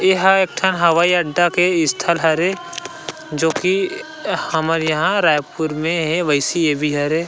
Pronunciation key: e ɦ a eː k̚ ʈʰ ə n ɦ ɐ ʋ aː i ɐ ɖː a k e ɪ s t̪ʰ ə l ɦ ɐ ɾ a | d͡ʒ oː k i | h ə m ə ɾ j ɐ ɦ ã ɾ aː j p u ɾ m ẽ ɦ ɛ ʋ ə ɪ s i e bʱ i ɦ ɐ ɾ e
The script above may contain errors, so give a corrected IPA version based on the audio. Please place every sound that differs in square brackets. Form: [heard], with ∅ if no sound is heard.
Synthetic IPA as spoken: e ɦ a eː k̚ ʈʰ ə n ɦ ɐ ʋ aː i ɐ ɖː a k e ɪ s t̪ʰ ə l ɦ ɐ ɾ [e] | d͡ʒ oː k i | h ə m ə ɾ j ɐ ɦ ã ɾ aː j p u ɾ m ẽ ɦ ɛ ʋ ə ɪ s i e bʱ i ɦ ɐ ɾ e